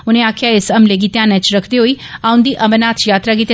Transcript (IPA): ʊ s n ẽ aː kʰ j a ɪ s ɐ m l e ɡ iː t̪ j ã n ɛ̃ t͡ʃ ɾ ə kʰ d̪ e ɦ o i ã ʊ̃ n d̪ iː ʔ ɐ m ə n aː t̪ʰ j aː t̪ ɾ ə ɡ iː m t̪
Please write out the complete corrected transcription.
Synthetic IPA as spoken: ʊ n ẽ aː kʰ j a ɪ s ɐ m l e ɡ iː t̪ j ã n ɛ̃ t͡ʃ ɾ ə kʰ d̪ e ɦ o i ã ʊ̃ n d̪ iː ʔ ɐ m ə n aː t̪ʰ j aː t̪ ɾ a ɡ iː t̪